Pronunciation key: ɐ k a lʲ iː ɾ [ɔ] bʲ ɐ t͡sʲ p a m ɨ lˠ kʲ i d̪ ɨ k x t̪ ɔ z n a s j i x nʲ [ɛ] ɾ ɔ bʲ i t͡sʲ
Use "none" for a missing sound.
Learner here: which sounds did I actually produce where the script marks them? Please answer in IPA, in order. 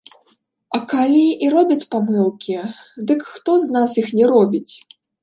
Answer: ɔ, ɛ

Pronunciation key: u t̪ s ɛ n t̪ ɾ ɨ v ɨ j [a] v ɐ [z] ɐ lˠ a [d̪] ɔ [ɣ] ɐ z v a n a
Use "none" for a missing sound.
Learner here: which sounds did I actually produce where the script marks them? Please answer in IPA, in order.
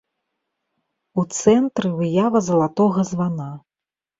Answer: a, z, t̪, ɣ

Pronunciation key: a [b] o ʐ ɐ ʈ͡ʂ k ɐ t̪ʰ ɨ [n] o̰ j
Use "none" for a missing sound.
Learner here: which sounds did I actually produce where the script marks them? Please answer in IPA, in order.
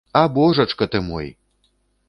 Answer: b, m

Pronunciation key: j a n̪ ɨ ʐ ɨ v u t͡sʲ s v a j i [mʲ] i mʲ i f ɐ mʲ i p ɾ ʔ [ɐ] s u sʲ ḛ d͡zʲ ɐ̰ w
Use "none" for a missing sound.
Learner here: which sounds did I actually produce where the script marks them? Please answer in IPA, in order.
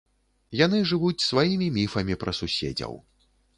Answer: mʲ, ɐ

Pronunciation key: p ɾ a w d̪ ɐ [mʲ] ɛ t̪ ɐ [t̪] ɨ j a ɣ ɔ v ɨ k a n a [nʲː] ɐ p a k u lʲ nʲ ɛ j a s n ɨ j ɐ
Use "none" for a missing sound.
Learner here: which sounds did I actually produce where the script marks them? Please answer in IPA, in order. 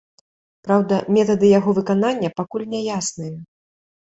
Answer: mʲ, d̪, nʲː

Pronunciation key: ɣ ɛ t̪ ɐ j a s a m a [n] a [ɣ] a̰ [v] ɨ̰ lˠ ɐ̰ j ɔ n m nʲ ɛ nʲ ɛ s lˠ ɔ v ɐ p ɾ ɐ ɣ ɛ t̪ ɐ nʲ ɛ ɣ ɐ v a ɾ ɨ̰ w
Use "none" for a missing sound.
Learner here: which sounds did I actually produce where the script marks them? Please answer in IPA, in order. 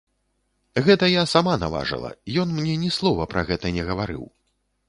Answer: n, v, ʐ

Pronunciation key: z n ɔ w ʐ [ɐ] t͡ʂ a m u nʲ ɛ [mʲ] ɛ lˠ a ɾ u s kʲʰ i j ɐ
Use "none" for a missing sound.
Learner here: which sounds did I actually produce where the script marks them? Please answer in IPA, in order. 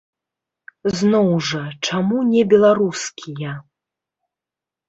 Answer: ɐ, bʲ

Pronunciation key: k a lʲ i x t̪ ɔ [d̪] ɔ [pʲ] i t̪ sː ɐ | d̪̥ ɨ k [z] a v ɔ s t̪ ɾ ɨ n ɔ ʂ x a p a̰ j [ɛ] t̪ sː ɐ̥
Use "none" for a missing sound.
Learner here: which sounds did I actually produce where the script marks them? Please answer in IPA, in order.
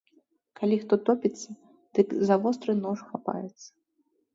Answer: t̪, pʲ, z, ɛ

